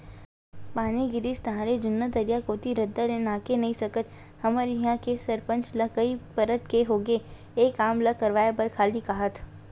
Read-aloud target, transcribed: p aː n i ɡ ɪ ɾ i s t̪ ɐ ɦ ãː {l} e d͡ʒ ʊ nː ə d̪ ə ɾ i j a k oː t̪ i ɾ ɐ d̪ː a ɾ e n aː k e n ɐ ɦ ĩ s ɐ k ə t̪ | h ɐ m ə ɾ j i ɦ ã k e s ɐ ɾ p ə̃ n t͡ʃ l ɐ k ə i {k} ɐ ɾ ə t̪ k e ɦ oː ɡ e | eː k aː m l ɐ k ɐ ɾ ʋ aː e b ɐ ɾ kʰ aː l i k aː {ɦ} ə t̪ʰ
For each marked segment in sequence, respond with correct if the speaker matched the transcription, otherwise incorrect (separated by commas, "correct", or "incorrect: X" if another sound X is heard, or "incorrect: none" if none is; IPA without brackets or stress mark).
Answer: incorrect: ɾ, incorrect: p, correct